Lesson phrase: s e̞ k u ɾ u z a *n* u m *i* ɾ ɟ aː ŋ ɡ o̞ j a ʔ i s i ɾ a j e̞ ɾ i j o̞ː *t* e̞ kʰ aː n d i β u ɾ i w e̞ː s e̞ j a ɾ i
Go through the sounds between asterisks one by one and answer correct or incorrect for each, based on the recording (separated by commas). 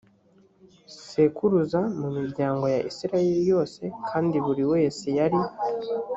incorrect, correct, incorrect